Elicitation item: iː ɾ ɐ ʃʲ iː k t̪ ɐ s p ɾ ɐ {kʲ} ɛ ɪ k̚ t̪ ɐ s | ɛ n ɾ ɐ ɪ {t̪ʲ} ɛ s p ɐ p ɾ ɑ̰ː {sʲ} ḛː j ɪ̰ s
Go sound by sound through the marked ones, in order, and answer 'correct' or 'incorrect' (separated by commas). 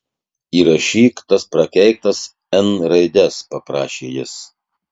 correct, incorrect, incorrect